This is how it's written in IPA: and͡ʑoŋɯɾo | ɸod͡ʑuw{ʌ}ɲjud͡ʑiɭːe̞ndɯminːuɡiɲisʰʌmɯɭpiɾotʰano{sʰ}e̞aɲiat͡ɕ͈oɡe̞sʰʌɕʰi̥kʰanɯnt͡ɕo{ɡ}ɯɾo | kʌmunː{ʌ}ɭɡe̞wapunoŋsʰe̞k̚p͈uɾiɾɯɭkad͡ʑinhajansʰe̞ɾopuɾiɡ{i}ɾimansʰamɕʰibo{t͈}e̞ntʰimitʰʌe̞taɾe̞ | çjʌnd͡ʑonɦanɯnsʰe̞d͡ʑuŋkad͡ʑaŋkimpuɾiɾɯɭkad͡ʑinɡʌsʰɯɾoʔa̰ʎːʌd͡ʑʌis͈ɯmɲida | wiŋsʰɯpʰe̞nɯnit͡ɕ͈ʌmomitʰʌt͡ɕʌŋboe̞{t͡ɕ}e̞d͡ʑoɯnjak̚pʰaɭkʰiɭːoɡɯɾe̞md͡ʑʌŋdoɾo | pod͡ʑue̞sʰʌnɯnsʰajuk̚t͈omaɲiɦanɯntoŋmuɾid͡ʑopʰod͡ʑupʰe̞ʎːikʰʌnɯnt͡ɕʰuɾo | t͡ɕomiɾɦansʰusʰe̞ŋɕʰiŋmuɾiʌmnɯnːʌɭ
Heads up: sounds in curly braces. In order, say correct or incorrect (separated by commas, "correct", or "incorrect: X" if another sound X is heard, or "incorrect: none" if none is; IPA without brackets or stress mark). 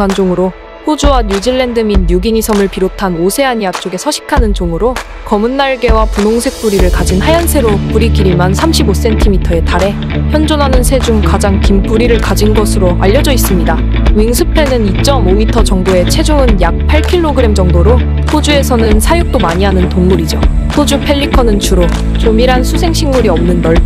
incorrect: a, correct, incorrect: ŋ, incorrect: a, correct, incorrect: s͈, incorrect: t͡ɕʰ